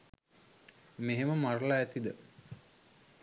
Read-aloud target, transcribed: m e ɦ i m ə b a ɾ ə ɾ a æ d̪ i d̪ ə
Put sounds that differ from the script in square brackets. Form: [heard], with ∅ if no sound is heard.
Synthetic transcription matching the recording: m e ɦ [e] m ə [m] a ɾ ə [l] a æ [t̪] i d̪ ə